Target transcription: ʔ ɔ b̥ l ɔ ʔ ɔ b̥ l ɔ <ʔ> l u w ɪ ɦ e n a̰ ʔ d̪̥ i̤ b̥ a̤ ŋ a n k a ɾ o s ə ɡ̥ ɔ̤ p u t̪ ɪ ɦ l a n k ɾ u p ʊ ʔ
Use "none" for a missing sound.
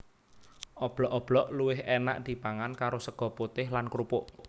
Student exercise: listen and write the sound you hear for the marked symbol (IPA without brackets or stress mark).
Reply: ʔ